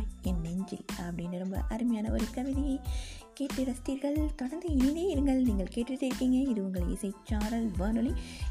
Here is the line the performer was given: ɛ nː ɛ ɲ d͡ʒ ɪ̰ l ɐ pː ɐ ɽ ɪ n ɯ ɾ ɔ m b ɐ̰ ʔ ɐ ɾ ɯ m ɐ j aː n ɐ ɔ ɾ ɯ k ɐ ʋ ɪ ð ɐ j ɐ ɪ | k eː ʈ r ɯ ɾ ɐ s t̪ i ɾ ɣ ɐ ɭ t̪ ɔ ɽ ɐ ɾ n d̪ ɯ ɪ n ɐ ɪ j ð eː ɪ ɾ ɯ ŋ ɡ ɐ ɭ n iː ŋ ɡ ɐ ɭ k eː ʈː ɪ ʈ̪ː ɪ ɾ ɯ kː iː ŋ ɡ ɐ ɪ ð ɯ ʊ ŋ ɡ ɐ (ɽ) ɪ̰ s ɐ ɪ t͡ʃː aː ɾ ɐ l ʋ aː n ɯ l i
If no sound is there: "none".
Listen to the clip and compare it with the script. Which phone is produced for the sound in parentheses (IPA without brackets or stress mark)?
ɭ